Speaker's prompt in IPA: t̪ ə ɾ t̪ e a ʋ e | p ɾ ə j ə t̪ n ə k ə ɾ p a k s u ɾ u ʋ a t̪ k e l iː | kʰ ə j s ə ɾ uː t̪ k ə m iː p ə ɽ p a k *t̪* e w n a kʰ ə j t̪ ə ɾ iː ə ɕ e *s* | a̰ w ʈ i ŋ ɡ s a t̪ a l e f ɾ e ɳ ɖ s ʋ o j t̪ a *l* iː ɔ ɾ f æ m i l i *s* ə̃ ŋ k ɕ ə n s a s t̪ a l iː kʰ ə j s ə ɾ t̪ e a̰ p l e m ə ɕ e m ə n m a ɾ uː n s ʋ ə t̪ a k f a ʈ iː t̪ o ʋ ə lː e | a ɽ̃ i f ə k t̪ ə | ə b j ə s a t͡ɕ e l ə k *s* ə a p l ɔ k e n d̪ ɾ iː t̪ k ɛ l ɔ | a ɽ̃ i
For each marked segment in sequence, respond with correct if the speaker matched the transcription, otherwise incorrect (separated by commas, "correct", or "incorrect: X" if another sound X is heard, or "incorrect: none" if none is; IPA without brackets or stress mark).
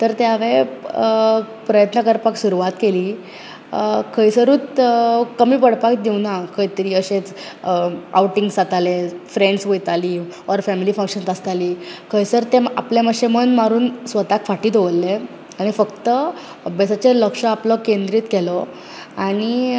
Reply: incorrect: d̪, incorrect: t͡s, correct, incorrect: f, incorrect: ʂ